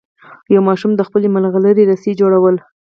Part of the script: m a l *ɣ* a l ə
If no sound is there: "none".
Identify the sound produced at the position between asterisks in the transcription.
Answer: ɣ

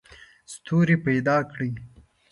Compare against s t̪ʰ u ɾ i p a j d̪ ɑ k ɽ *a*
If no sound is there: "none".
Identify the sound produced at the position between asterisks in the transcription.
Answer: i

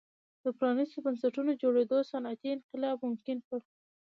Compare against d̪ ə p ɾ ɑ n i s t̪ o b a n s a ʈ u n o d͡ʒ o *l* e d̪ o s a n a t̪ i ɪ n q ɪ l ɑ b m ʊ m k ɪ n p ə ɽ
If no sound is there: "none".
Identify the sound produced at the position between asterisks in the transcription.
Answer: ɽ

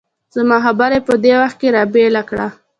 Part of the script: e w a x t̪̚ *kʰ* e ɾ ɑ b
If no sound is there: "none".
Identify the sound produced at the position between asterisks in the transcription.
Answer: k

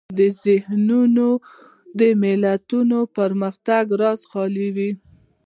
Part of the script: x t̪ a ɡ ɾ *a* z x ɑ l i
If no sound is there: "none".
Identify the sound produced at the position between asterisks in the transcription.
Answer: ɑ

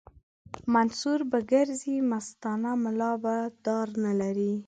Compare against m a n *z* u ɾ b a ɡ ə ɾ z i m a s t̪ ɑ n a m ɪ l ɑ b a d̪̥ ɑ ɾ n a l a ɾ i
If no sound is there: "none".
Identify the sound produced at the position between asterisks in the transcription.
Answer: s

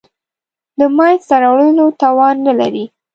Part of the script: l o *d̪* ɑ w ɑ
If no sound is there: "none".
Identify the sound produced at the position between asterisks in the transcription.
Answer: t̪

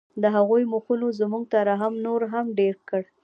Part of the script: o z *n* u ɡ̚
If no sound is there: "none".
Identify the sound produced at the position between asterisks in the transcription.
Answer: m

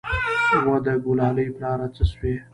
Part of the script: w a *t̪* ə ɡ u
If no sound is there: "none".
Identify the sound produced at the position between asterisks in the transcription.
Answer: d̪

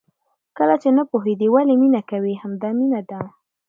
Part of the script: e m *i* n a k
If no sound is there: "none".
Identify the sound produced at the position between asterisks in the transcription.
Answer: i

